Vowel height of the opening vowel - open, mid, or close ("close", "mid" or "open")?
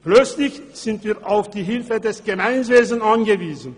mid